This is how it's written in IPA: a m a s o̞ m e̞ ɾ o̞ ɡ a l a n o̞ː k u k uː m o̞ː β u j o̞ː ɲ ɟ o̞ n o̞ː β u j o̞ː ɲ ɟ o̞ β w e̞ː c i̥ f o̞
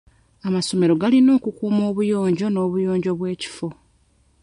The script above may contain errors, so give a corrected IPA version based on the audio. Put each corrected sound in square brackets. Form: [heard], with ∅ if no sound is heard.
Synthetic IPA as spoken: a m a s o̞ m e̞ ɾ o̞ ɡ a l [i] n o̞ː k u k uː m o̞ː β u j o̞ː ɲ ɟ o̞ n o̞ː β u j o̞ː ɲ ɟ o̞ β w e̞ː c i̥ f o̞